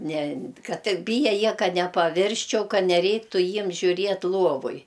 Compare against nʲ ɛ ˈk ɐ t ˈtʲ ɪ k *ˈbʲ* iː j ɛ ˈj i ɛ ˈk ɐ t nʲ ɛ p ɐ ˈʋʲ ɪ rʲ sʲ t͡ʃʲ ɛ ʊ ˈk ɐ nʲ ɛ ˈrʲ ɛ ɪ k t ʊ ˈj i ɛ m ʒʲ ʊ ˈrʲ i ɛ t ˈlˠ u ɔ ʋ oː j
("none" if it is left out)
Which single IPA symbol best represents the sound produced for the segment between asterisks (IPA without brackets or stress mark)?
bʲ